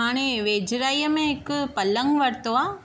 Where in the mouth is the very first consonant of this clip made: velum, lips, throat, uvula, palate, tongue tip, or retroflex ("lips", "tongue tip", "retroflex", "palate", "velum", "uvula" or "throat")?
retroflex